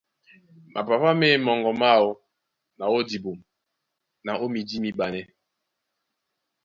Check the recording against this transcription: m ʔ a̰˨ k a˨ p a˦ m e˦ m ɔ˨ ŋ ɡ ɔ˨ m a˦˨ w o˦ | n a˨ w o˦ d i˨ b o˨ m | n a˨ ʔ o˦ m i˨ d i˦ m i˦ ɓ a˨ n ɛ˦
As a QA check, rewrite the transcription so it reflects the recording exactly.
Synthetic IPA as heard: m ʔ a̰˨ p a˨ p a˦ m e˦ m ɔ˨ ŋ ɡ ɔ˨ m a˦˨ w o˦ | n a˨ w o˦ d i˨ b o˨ m | n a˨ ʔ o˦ m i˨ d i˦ m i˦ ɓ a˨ n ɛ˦